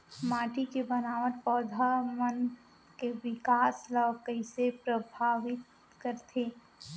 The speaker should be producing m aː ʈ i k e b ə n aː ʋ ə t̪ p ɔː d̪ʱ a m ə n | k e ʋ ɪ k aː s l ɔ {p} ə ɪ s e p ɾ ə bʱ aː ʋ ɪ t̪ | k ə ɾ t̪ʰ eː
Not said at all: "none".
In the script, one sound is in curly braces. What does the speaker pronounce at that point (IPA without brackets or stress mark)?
k